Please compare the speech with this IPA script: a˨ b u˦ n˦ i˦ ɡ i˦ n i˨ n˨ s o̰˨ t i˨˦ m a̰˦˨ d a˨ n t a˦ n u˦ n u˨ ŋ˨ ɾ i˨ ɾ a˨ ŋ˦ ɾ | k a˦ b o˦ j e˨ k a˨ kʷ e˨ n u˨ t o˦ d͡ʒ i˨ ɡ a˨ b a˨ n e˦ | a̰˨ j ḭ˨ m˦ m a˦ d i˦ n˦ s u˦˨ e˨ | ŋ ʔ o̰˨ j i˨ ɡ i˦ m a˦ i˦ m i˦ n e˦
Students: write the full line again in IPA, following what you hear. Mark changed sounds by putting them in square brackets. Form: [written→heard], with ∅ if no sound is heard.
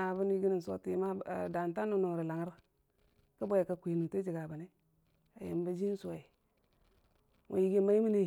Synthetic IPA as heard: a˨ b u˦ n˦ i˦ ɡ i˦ n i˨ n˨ s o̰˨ t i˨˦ m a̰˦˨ d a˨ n t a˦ n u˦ n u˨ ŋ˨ ɾ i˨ [ɾ→l] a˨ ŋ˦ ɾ | k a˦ b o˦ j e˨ k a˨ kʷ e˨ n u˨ t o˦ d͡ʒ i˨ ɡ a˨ b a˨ n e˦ | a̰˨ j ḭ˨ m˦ [m→b] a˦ [d→d͡ʒ] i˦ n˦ s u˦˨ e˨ | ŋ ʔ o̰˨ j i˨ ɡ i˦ m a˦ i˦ m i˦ n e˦